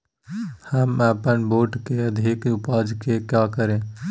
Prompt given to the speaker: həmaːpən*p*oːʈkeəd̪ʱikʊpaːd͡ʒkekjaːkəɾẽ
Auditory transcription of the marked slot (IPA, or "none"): b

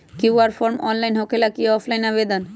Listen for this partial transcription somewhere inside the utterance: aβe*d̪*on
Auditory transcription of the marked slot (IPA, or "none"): d̪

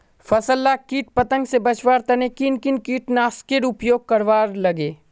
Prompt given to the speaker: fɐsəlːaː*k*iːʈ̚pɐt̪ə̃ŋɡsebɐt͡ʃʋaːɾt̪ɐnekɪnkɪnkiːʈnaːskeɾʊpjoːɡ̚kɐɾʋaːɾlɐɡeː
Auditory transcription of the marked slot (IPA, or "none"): k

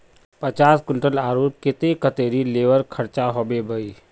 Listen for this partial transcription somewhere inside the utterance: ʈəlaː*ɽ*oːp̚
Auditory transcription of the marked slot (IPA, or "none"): ɾ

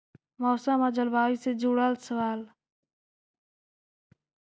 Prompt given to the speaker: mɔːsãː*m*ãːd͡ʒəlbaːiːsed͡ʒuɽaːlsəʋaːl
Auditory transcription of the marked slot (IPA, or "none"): m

